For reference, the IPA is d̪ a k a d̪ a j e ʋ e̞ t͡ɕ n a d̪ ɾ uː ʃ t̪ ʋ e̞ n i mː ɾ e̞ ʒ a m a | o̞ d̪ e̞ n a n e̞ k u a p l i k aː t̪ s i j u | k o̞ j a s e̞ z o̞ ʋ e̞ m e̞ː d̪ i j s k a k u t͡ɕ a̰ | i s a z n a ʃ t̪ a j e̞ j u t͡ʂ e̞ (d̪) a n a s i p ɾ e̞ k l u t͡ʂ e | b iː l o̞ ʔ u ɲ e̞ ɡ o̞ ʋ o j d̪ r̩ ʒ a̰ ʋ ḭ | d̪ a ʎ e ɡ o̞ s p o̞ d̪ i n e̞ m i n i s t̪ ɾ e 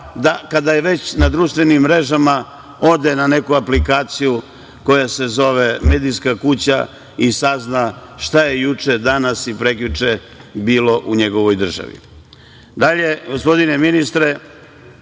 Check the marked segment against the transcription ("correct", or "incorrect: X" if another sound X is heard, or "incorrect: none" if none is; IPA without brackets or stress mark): correct